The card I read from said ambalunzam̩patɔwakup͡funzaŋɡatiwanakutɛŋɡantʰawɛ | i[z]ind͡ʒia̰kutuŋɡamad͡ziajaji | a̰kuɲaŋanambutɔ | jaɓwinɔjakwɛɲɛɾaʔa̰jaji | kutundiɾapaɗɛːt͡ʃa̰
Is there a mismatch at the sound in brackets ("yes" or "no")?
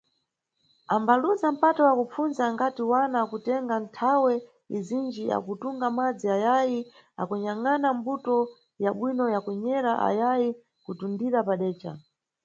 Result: no